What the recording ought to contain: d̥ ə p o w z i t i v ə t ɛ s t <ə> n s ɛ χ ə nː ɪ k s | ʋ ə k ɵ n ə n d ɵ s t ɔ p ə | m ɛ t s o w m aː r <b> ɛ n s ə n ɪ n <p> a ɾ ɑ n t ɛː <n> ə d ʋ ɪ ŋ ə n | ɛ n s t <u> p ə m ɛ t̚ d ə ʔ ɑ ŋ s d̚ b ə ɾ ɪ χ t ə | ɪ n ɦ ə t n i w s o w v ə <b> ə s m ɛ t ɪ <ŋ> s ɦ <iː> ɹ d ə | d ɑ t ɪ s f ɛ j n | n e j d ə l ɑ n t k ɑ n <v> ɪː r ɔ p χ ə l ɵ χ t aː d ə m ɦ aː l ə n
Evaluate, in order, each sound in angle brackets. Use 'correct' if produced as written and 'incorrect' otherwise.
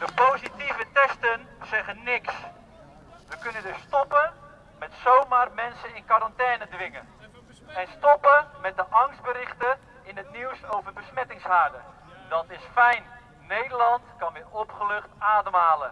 correct, incorrect, incorrect, correct, incorrect, correct, correct, incorrect, incorrect

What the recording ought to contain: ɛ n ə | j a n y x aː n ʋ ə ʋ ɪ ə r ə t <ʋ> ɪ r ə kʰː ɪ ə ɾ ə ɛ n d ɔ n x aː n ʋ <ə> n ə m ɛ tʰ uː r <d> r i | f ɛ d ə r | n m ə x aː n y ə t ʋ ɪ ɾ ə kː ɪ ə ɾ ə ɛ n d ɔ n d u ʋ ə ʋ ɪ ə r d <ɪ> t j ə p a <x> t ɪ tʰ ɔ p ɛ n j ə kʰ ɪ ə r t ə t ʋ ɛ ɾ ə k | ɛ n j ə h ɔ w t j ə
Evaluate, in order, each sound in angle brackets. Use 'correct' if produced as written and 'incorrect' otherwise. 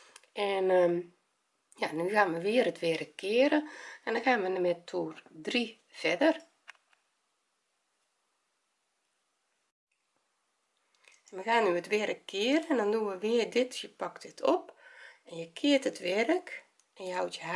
correct, correct, correct, correct, incorrect

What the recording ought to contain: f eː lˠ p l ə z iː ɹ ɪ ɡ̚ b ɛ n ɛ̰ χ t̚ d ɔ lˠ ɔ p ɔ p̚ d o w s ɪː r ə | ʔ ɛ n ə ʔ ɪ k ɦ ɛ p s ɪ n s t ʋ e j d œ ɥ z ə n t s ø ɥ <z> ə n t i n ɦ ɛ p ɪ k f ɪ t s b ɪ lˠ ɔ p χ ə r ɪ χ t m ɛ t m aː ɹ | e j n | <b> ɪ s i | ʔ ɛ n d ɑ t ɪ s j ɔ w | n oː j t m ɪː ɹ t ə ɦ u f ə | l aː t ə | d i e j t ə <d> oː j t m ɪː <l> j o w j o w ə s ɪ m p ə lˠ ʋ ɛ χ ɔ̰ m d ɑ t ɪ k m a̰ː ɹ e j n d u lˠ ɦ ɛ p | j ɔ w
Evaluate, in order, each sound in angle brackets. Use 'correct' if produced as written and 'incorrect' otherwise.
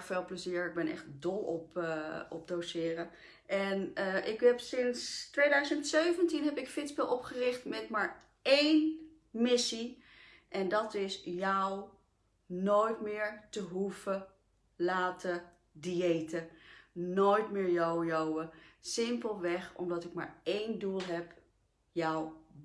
incorrect, incorrect, incorrect, incorrect

